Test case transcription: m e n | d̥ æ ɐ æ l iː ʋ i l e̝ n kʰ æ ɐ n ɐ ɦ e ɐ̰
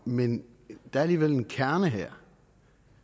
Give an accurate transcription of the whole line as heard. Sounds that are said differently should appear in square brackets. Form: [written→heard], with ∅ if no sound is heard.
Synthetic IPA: m e n | d̥ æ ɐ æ l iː ʋ [i→e] l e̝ n kʰ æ ɐ n [ɐ→ə] ɦ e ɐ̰